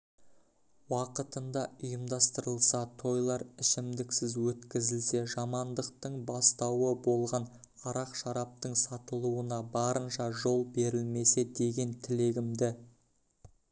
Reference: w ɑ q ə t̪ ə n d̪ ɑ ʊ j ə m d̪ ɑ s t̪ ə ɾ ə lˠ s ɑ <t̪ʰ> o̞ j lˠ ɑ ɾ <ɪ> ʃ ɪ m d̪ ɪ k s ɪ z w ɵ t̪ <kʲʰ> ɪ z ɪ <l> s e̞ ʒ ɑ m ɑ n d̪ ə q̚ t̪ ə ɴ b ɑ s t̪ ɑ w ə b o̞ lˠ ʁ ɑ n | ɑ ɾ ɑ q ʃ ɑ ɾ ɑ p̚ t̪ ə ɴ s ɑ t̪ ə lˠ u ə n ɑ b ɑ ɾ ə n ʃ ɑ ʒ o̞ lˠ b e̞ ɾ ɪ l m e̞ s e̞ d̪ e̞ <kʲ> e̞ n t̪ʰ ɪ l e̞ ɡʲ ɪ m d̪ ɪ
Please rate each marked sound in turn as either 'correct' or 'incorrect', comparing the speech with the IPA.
correct, correct, incorrect: kʲ, correct, incorrect: ɡʲ

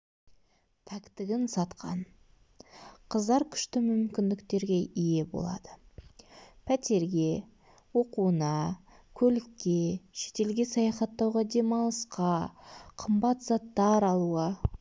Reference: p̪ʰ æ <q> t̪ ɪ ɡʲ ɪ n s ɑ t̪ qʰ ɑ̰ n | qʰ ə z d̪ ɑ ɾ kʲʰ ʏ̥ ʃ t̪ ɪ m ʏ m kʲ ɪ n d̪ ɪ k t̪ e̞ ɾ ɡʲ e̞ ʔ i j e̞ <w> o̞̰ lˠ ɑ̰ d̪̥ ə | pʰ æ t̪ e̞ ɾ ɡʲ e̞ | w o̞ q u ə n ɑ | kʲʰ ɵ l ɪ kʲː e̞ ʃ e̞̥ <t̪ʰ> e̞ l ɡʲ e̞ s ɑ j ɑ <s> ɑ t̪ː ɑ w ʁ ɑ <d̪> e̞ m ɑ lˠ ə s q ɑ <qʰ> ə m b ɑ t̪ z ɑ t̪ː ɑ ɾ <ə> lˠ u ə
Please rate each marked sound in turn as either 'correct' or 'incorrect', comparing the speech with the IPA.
incorrect: k, incorrect: b, incorrect: t̪, incorrect: χ, correct, correct, incorrect: ɑ

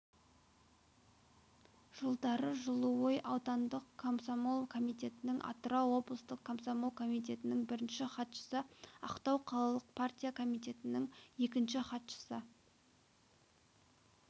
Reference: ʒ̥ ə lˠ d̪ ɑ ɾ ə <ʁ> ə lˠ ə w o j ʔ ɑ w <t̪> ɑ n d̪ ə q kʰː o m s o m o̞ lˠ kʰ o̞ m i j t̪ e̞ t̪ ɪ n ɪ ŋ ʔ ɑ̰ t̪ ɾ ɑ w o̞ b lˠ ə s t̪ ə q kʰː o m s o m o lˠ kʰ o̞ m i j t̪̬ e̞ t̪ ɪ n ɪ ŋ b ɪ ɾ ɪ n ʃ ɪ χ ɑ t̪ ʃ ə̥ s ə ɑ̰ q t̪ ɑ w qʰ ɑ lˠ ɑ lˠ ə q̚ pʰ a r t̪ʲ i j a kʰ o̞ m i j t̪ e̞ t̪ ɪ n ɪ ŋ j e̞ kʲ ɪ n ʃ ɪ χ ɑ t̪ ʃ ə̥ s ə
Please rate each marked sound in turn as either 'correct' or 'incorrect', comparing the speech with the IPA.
incorrect: ʒ, correct

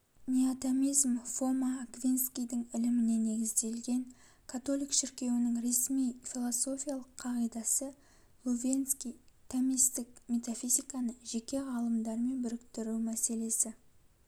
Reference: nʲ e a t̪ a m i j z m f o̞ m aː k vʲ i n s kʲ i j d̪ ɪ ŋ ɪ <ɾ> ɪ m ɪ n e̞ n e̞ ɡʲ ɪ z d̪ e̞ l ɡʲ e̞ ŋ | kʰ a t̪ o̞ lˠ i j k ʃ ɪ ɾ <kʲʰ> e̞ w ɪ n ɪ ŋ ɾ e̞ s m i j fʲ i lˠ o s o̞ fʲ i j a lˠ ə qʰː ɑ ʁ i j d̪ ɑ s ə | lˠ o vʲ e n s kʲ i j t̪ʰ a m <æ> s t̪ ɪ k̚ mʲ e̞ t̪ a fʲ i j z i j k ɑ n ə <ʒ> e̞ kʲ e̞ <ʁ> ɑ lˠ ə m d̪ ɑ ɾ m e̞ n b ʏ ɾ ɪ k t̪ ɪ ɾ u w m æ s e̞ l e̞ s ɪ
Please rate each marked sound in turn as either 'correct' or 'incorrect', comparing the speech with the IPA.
incorrect: l, incorrect: kʲ, incorrect: i, correct, correct

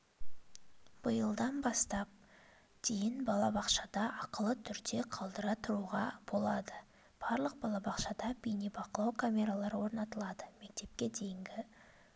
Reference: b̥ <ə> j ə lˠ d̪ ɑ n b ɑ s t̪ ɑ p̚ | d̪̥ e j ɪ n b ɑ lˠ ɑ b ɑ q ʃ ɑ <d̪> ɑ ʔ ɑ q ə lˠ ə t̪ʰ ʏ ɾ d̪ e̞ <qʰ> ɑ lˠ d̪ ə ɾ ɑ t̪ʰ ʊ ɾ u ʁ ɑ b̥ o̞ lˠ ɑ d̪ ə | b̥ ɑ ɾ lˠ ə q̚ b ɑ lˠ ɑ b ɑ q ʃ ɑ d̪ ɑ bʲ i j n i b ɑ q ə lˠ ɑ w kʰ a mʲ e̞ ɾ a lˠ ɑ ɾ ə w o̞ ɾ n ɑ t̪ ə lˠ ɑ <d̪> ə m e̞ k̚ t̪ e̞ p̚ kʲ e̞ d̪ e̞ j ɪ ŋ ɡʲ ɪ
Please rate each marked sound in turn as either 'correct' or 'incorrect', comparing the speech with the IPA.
correct, correct, correct, correct

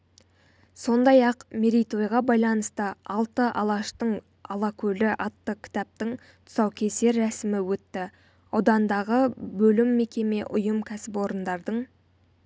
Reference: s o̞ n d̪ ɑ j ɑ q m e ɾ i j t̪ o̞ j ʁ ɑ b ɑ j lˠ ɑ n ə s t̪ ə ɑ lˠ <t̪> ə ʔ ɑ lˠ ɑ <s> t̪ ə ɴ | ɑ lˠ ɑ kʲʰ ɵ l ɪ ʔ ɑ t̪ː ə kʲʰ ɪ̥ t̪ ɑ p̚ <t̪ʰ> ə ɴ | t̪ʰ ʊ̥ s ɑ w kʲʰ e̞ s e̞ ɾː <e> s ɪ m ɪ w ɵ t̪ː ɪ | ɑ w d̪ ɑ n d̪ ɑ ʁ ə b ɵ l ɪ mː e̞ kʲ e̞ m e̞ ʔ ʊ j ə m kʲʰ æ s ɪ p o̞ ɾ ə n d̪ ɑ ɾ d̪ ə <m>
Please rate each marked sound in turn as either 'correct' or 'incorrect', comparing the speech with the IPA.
correct, incorrect: ʃ, incorrect: t̪, incorrect: æ, incorrect: ɴ

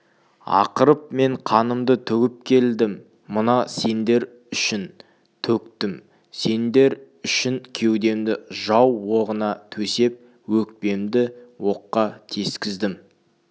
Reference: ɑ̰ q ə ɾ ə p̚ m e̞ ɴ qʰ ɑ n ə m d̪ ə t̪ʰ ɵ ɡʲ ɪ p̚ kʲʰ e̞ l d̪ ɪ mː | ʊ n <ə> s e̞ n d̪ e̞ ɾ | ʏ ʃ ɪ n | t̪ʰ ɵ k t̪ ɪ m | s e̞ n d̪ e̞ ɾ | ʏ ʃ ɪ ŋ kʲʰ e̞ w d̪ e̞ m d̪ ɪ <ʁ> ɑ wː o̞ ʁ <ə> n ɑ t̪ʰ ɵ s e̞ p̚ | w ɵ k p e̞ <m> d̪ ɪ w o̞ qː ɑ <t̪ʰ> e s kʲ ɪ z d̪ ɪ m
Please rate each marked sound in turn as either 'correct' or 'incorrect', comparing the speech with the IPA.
incorrect: ɑ, incorrect: ʒ, correct, correct, correct

